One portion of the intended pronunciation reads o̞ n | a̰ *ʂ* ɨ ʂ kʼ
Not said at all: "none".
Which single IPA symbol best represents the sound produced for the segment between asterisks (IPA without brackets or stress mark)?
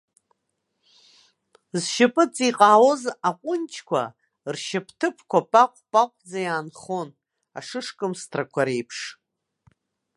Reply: ʂ